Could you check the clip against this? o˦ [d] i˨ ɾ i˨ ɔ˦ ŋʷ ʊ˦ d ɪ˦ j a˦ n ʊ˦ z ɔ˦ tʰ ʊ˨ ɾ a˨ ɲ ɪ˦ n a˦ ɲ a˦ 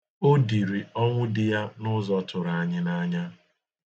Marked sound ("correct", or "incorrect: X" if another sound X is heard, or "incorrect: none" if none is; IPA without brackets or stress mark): correct